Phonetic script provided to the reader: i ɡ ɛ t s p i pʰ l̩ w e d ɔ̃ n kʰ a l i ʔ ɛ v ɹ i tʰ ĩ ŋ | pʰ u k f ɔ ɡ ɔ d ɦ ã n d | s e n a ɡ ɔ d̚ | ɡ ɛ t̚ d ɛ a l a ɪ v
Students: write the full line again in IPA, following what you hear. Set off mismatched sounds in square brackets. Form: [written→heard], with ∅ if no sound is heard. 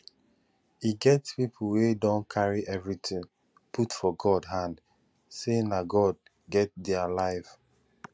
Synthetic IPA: i ɡ ɛ t s p i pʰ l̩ w e d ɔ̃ n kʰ a [l→ɹ] i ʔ ɛ v ɹ i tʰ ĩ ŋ | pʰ u [k→t] f ɔ ɡ ɔ d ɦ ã n d | s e n a ɡ ɔ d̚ | ɡ ɛ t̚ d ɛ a l a ɪ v